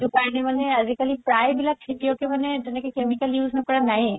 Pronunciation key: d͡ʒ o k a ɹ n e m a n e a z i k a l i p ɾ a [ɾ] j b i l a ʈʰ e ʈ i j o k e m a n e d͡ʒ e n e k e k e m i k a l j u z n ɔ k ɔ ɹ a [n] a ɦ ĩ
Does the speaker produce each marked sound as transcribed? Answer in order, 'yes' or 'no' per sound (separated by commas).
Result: no, yes